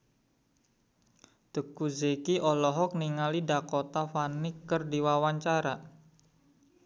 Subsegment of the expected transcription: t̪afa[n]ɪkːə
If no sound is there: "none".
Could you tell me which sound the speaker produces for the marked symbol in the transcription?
n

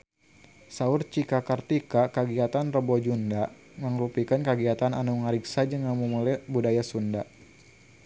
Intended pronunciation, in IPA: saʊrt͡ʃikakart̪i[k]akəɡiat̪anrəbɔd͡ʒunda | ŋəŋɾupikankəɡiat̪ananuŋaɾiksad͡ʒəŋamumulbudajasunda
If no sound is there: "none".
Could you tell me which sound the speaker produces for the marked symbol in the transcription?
k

